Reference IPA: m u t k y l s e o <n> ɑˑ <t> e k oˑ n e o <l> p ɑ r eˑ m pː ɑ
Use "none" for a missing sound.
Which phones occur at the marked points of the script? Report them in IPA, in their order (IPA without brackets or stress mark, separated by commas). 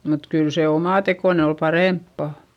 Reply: m, t, l